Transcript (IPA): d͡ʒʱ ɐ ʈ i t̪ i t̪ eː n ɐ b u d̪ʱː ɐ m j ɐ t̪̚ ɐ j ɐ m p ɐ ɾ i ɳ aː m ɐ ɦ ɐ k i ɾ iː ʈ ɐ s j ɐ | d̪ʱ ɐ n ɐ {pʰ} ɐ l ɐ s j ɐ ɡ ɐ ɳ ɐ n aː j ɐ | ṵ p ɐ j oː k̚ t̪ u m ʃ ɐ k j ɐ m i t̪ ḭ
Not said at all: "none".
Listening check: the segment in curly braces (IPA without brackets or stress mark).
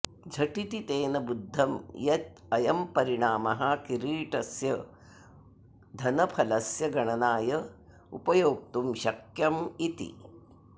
pʰ